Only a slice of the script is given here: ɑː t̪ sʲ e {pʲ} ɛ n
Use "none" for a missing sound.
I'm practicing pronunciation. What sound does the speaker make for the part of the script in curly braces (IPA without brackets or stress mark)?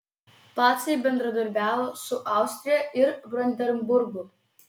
bʲ